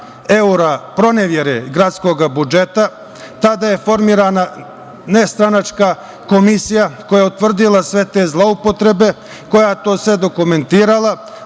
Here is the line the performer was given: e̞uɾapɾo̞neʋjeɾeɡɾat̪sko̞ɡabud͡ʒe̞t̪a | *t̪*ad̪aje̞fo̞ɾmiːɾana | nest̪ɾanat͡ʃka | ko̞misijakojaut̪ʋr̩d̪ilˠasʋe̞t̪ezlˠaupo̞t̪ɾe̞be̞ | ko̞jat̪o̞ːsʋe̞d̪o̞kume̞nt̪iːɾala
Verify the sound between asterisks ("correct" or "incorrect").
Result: correct